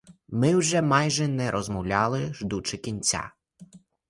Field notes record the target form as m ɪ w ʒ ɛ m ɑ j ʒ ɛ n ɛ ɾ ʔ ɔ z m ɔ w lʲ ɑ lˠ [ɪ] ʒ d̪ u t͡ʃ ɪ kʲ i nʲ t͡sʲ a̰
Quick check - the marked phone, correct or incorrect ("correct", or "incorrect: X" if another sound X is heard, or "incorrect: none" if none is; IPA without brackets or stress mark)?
correct